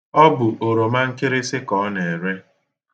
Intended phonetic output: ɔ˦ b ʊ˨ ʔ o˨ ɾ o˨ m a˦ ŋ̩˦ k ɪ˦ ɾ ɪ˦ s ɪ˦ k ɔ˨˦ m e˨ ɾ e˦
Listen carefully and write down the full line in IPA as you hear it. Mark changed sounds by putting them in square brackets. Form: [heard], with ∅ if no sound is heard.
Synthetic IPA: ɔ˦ b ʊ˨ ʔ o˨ ɾ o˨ m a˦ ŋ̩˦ k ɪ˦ ɾ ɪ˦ s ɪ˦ k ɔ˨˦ [n] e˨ ɾ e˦